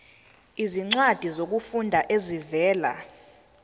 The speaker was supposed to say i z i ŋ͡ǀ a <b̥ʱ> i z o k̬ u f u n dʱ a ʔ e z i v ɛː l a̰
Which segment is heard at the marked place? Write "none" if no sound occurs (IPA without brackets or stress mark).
d̥ʱ